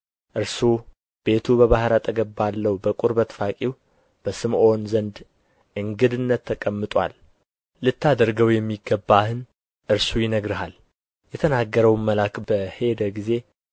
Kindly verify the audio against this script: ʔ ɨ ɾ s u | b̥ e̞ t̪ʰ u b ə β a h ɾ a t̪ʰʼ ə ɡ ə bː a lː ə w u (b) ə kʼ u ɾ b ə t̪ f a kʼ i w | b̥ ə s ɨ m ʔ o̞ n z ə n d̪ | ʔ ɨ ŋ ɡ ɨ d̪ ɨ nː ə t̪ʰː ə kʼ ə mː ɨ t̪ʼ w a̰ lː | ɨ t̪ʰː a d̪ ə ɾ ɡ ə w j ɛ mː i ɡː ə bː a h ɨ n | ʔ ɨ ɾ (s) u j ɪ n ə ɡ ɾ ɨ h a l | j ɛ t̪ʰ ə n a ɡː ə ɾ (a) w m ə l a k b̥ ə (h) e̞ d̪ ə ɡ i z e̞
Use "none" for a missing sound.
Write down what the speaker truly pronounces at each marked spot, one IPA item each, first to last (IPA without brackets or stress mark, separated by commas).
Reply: b, s, ə, h